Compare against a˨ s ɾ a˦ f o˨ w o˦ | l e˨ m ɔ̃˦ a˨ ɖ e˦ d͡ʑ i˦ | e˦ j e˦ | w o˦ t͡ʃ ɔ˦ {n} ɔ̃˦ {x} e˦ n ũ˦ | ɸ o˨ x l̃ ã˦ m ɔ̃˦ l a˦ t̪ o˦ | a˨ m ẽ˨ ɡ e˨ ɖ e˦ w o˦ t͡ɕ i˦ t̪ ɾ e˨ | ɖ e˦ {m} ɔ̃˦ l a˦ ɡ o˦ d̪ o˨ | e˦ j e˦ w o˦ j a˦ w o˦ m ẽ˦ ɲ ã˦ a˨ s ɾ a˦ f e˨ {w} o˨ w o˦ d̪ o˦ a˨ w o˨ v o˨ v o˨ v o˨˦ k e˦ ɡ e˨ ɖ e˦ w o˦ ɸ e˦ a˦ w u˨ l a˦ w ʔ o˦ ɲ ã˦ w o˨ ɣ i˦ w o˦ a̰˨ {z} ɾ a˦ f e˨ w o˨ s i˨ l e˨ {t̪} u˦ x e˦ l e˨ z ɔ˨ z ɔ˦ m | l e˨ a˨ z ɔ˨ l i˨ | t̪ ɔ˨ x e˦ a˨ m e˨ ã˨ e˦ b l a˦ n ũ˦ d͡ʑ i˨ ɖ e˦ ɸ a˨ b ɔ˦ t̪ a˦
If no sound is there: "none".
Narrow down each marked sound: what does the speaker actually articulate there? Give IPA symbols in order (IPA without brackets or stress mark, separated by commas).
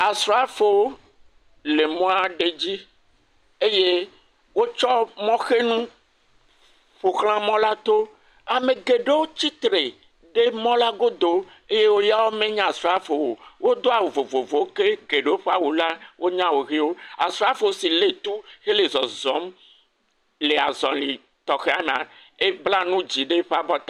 m, x, m, w, s, t̪